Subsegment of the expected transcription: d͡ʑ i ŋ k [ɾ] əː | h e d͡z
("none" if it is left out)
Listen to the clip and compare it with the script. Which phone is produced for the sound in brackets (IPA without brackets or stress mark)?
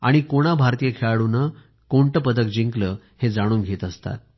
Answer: l